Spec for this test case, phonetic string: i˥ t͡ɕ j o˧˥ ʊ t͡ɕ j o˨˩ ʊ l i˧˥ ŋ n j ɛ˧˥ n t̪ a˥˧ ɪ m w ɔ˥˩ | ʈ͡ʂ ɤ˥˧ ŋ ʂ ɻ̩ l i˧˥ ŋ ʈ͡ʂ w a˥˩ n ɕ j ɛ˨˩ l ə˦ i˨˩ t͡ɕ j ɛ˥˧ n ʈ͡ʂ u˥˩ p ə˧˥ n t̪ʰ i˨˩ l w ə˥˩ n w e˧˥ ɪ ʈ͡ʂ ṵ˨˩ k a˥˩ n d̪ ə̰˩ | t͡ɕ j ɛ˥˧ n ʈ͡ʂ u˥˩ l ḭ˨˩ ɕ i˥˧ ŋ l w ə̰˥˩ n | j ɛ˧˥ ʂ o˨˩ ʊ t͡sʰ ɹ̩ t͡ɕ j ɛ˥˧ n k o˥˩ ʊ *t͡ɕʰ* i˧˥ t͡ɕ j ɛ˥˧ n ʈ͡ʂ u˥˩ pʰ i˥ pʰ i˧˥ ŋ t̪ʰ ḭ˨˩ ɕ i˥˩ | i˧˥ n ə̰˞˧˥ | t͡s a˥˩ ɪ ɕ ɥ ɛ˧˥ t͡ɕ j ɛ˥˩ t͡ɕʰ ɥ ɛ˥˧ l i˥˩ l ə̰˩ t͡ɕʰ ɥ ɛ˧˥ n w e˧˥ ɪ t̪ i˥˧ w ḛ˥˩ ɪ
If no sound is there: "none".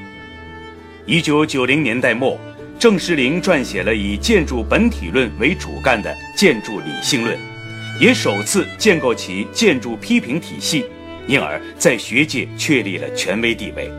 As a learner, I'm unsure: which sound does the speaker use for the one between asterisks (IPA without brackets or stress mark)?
t͡ɕʰ